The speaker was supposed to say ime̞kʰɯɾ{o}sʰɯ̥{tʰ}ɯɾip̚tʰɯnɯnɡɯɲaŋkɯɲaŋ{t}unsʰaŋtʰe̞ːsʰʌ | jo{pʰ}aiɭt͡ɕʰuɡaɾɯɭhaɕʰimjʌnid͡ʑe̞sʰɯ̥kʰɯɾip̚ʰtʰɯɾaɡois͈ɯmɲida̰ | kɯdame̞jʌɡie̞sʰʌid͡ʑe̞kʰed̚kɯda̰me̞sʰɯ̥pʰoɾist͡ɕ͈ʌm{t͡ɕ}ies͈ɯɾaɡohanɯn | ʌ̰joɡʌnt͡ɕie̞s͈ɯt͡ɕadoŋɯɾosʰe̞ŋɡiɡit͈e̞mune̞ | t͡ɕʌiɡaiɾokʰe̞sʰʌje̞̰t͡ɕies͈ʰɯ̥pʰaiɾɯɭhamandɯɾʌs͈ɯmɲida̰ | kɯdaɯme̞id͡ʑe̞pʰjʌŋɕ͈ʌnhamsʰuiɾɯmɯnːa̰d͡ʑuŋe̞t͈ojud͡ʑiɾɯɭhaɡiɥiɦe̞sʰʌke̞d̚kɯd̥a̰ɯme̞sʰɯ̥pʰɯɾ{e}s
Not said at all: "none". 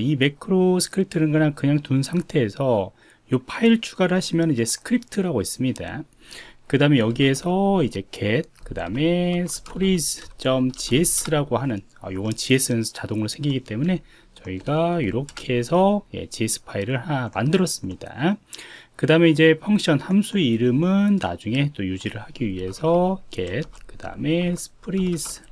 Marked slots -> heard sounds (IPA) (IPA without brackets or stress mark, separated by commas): o, kʰ, t, pʰ, t͡ɕ, i